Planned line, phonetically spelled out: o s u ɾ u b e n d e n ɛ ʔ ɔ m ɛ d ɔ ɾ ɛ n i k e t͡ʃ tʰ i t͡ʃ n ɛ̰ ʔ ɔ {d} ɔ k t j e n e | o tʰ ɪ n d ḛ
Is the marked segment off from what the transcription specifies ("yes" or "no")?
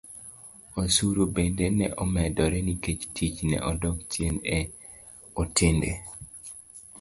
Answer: no